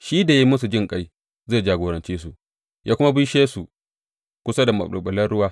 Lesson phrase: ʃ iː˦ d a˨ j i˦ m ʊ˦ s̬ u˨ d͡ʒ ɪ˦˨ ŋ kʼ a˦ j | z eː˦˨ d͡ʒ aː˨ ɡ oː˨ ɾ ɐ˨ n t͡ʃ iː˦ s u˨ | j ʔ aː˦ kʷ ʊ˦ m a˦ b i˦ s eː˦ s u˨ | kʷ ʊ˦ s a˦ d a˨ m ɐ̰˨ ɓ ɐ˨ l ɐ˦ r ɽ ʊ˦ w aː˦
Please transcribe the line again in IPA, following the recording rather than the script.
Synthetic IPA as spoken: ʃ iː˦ d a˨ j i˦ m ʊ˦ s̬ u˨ d͡ʒ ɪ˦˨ ŋ kʼ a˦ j | z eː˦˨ d͡ʒ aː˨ ɡ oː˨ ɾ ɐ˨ n t͡ʃ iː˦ s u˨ | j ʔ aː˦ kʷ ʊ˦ m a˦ b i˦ ʃ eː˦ s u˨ | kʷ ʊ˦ s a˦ d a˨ m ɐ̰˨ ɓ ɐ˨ l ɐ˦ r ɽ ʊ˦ w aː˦

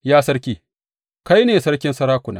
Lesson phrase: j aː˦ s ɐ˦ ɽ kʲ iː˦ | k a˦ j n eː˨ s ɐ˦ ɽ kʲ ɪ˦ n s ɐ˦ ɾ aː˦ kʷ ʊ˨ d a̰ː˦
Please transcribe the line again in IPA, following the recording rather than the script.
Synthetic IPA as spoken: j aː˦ s ɐ˦ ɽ kʲ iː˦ | k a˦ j n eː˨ s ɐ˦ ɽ kʲ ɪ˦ n s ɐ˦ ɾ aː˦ kʷ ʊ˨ n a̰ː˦

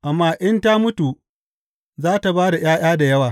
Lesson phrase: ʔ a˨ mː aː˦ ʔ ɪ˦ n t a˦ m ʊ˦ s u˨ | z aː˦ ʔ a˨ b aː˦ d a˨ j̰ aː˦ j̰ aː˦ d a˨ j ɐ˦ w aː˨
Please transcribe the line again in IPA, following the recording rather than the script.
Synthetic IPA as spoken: ʔ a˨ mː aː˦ ʔ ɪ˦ n t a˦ m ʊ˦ t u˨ | z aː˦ t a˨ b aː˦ d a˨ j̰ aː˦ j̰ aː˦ d a˨ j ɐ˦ w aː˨

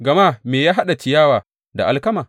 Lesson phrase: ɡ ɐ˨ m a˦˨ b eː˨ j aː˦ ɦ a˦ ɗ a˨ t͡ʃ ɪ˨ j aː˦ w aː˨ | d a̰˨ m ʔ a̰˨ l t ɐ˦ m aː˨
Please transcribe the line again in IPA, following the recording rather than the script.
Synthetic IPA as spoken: ɡ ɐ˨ m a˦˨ m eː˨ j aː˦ ɦ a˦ ɗ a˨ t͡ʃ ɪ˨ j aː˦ w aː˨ | d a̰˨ ʔ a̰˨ l k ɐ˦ m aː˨

